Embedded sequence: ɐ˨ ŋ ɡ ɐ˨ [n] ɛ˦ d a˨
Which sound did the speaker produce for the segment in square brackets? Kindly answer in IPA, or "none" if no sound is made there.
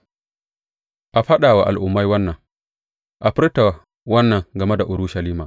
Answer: m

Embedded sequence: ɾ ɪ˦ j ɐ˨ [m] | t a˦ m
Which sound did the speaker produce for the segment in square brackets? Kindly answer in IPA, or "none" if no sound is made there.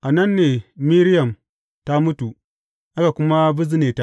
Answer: m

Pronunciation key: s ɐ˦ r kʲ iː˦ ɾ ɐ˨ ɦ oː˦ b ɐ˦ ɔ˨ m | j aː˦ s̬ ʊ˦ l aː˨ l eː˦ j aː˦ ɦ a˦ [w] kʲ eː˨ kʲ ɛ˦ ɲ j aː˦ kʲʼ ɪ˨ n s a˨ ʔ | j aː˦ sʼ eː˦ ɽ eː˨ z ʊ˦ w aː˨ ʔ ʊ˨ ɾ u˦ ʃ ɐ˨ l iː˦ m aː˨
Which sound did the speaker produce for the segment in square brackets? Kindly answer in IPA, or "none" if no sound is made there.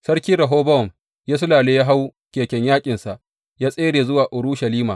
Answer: w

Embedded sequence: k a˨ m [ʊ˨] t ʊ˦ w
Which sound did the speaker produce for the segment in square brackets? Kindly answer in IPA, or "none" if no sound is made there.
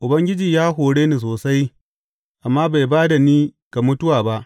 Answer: ʊ˦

